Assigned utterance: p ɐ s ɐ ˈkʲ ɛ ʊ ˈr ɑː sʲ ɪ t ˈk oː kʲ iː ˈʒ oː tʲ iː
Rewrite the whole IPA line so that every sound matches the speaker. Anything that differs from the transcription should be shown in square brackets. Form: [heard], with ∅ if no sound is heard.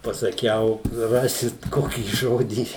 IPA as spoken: p ɐ s ɐ ˈkʲ ɛ ʊ ˈr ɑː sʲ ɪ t ˈk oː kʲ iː ˈʒ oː [dʲ] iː